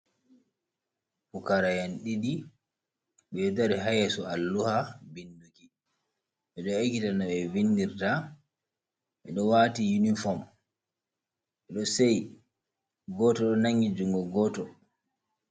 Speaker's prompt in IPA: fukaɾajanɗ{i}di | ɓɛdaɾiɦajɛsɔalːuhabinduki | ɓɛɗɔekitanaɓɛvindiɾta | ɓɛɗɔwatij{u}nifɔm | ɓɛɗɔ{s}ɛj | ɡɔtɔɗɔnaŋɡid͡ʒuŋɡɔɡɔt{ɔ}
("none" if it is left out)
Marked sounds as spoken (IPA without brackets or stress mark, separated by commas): i, u, s, ɔ